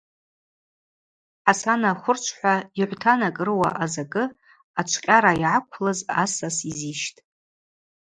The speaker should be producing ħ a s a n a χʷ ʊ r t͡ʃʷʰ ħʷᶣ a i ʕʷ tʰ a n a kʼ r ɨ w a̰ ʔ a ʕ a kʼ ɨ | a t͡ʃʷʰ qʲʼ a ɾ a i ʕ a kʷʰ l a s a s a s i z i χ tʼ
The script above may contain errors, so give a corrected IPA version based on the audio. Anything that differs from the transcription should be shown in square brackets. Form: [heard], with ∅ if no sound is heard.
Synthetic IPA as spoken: ħ a s a n a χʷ ʊ r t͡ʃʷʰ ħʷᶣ a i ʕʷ tʰ a n a kʼ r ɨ w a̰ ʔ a [z] a kʼ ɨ | a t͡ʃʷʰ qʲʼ a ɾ a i ʕ a kʷʰ l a [z] a s a s i z i [ʃ] tʼ